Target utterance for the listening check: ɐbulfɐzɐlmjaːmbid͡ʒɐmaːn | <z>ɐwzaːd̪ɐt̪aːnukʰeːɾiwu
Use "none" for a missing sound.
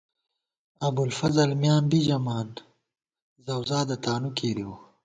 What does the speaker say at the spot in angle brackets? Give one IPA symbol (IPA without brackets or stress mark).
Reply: z